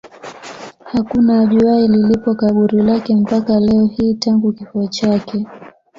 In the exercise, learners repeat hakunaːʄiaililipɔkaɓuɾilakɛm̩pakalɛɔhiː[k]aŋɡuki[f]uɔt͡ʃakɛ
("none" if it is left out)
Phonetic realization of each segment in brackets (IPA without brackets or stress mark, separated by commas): t, f